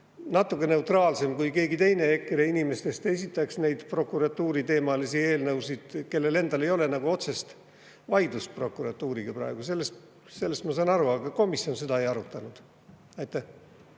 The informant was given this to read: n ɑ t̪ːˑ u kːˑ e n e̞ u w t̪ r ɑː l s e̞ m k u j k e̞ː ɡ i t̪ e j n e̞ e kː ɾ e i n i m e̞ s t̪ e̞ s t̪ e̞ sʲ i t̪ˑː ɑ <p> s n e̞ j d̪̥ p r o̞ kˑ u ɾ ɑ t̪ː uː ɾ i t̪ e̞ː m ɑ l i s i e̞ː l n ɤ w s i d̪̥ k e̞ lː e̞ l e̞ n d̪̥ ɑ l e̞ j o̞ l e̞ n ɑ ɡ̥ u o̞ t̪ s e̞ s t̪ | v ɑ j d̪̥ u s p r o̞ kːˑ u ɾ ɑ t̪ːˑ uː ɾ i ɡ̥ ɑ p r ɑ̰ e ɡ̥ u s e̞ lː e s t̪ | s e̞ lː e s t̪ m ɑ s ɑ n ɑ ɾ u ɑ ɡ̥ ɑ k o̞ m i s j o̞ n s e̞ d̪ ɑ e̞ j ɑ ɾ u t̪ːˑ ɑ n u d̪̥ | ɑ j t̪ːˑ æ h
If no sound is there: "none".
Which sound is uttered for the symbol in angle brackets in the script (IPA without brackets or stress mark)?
k